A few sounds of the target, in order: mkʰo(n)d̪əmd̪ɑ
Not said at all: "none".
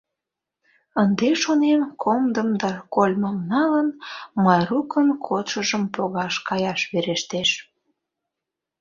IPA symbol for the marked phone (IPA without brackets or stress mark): m